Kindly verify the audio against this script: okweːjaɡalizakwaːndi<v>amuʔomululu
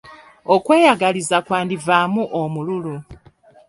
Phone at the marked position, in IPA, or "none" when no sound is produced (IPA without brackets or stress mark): v